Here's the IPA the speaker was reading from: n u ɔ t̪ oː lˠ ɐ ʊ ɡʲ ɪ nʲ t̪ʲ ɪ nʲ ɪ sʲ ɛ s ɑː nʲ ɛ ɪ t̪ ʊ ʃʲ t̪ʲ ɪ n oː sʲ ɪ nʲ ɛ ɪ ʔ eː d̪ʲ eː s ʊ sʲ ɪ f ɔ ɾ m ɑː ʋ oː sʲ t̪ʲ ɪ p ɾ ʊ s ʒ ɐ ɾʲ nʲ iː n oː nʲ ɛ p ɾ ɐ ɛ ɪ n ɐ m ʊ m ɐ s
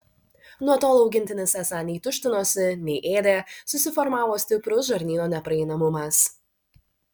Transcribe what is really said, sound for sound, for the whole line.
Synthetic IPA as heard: n u ɔ t̪ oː lˠ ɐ ʊ ɡʲ ɪ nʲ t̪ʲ ɪ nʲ ɪ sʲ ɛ s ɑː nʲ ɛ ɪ t̪ ʊ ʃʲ t̪ʲ ɪ n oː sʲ ɪ nʲ ɛ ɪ ʔ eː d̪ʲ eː s ʊ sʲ ɪ f ɔ ɾ m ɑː ʋ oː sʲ t̪ʲ ɪ p ɾ ʊ s ʒ ɐ ɾʲ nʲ iː n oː nʲ ɛ p ɾ ɐ ɛ ɪ n ɐ m ʊ m ɐ s